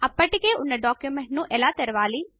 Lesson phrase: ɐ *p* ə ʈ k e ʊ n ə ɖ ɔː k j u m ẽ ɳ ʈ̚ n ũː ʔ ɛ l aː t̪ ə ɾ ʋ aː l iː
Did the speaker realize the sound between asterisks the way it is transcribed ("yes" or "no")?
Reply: yes